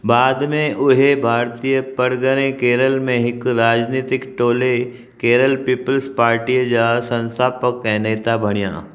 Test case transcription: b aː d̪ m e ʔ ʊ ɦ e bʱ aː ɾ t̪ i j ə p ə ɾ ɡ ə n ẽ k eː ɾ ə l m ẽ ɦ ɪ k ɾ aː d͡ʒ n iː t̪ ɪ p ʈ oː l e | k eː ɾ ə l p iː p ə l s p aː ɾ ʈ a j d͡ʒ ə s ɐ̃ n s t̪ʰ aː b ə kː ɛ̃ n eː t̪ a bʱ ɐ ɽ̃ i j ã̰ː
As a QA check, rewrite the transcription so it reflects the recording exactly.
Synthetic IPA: b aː d̪ m ẽ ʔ ʊ ɦ e bʱ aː ɾ t̪ i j ə p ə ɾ ɡ ə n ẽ k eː ɾ ə l m ẽ ɦ ɪ k ɾ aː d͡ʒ n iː t̪ ɪ k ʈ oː l e | k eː ɾ ə l p iː p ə l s p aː ɾ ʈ i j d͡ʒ a s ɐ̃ n s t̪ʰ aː p ə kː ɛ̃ n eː t̪ a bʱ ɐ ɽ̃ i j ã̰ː